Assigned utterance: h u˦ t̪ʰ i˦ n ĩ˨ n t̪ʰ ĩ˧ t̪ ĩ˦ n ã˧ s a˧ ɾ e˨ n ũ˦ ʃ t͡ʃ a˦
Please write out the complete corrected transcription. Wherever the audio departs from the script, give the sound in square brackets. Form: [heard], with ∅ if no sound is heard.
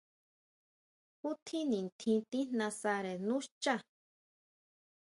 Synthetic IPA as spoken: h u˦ t̪ʰ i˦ n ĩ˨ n t̪ʰ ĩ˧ t̪ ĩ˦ n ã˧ s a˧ ɾ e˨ n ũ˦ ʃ t͡ʃ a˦